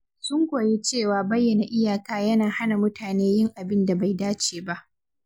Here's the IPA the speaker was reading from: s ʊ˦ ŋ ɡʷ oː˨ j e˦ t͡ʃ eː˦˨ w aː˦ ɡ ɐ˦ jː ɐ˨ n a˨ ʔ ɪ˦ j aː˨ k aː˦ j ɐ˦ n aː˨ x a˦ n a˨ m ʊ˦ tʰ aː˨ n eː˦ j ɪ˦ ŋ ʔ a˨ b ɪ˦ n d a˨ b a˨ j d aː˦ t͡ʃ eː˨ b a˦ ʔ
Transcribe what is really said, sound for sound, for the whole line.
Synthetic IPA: s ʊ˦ ŋ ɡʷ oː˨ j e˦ t͡ʃ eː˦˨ w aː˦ b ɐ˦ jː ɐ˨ n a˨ ʔ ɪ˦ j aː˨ k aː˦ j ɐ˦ n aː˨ h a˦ n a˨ m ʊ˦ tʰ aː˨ n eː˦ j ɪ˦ ŋ ʔ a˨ b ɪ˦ n d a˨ b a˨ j d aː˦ t͡ʃ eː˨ b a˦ ʔ